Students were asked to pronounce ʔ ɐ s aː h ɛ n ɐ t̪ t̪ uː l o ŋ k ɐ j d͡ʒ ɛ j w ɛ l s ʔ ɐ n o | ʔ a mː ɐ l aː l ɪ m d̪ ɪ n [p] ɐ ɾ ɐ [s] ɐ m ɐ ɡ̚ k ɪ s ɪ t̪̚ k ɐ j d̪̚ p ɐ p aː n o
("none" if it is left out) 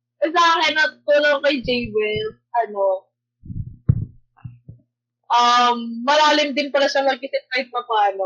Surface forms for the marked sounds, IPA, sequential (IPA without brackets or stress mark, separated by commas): p, ʃ